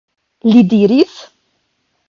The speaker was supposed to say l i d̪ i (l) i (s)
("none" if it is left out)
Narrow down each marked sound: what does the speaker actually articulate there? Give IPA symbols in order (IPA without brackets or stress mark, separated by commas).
ɾ, θ